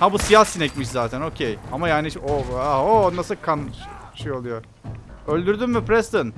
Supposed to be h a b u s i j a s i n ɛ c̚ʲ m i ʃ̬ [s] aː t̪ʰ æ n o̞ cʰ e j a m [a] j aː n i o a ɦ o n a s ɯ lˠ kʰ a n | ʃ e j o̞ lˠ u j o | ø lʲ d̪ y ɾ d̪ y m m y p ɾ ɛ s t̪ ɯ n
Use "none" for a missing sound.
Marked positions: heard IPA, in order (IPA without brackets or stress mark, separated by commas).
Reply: z, a